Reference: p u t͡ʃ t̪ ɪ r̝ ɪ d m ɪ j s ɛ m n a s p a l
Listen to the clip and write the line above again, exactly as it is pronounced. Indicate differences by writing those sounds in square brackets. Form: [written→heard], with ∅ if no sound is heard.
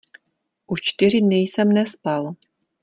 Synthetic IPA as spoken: [p→ʔ] u t͡ʃ t̪ ɪ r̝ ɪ d [m→n] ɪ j s ɛ m n [a→ɛ] s p a l